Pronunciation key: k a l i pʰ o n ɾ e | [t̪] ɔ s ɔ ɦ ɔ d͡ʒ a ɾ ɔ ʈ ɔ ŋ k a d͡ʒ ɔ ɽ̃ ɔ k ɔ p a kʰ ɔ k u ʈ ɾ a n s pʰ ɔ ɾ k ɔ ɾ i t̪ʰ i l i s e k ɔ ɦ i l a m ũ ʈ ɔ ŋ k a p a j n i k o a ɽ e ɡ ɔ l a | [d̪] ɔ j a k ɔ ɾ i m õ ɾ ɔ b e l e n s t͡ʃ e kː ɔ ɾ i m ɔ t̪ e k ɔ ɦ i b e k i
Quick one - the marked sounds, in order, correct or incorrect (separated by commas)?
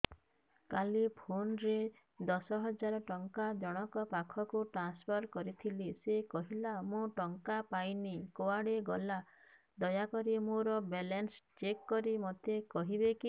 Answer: incorrect, correct